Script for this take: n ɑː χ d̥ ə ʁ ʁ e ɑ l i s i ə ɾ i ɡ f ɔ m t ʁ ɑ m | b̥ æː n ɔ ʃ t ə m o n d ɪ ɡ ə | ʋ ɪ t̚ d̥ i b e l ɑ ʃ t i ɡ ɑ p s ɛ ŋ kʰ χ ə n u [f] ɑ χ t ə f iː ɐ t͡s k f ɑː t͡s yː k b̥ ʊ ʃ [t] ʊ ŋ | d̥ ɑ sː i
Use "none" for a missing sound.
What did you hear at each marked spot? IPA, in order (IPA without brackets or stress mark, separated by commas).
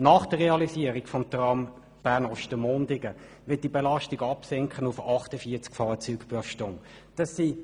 f, t